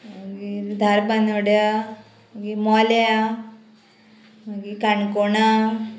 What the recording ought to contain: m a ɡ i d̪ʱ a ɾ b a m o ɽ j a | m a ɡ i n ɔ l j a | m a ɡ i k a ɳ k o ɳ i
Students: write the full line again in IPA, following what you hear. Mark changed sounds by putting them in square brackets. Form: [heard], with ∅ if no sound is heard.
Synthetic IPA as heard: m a ɡ i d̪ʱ a ɾ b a [n] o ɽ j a | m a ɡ i [m] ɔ l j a | m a ɡ i k a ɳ k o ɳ [a]